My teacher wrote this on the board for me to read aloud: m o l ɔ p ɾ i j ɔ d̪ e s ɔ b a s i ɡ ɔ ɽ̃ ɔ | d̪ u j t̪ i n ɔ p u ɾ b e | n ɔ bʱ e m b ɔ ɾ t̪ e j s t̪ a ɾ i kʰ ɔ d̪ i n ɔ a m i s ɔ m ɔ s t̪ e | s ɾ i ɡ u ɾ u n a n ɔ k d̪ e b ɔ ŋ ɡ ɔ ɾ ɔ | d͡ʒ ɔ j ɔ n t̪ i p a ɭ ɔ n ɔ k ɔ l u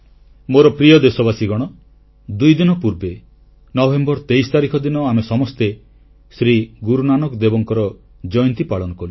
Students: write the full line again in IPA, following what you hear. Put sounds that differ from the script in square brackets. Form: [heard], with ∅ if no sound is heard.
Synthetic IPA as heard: m o [ɾ] ɔ p ɾ i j ɔ d̪ e s ɔ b a s i ɡ ɔ ɽ̃ ɔ | d̪ u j [d̪] i n ɔ p u ɾ b e | n ɔ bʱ e m b ɔ ɾ t̪ e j s t̪ a ɾ i kʰ ɔ d̪ i n ɔ a m [e] s ɔ m ɔ s t̪ e | s ɾ i ɡ u ɾ u n a n ɔ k d̪ e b ɔ ŋ [k] ɔ ɾ ɔ | d͡ʒ ɔ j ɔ n t̪ i p a ɭ ɔ n ɔ k ɔ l u